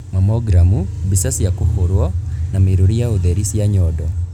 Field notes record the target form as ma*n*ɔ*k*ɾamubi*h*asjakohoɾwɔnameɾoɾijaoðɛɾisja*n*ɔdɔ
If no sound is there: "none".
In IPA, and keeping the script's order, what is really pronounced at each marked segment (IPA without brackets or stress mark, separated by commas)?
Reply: m, ɡ, s, ɲ